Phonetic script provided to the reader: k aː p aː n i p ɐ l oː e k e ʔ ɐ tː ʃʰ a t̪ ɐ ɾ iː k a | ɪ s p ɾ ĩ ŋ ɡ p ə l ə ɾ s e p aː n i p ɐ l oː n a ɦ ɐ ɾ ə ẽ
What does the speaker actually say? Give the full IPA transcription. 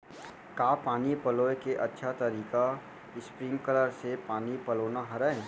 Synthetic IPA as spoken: k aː p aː n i p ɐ l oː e k e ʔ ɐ tː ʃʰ a t̪ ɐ ɾ iː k a | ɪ s p ɾ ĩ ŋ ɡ k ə l ə ɾ s e p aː n i p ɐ l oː n a ɦ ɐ ɾ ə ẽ